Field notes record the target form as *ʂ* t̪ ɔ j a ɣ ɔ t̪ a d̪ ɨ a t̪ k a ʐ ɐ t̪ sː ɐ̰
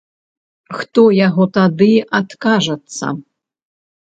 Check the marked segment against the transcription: incorrect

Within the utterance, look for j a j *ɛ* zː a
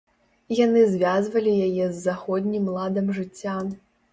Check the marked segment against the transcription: correct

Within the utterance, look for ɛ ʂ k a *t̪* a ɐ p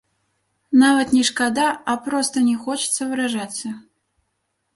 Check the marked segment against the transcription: incorrect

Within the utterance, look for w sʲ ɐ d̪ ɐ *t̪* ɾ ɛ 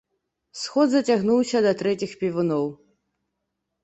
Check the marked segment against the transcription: correct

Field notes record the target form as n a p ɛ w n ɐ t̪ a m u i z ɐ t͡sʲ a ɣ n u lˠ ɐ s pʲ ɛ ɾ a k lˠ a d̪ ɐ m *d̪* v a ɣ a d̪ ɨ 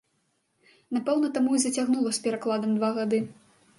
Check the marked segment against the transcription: correct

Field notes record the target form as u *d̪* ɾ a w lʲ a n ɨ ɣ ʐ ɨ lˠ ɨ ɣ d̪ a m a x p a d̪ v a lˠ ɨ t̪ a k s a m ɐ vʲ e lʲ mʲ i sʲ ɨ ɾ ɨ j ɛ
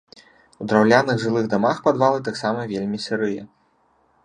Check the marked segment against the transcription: correct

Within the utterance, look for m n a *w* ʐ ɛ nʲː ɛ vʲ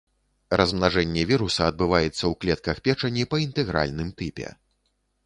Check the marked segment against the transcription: incorrect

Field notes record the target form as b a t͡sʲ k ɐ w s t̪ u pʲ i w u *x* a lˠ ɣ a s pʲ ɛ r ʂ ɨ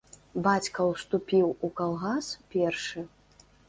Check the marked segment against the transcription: incorrect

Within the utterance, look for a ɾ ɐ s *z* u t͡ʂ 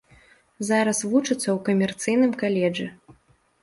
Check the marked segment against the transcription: incorrect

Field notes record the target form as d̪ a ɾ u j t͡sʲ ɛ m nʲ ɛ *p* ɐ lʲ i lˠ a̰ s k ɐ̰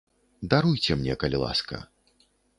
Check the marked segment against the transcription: incorrect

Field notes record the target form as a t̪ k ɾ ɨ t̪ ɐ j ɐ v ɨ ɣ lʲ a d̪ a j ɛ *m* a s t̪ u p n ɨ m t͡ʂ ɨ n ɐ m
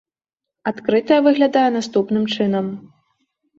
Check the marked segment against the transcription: incorrect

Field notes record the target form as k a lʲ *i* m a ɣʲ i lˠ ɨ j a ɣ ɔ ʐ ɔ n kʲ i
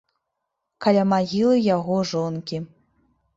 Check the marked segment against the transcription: incorrect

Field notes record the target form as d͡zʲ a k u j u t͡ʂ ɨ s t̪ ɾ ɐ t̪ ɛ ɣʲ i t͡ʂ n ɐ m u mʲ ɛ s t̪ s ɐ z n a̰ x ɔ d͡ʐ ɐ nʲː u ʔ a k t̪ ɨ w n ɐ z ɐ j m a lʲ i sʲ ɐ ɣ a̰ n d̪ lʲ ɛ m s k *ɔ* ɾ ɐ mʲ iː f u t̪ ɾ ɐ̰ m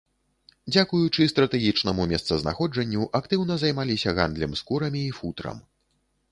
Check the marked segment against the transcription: incorrect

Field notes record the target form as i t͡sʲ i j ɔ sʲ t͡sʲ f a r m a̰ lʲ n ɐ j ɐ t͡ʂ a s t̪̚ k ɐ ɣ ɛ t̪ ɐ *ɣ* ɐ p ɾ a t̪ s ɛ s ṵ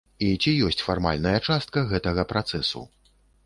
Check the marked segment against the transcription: correct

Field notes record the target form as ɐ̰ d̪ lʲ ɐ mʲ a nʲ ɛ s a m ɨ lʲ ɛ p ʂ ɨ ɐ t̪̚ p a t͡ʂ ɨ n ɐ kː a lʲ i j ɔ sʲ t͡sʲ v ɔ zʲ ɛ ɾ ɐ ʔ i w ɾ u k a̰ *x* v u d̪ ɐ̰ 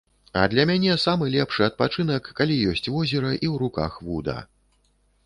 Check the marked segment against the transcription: correct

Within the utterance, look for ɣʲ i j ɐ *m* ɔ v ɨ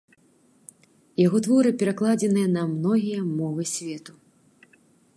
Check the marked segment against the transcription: correct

